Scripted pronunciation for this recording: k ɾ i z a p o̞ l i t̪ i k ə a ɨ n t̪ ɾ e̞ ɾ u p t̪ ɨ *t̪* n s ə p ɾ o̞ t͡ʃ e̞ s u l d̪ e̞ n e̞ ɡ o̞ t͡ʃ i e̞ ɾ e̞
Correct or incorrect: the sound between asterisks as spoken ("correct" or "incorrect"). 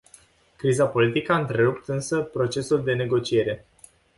incorrect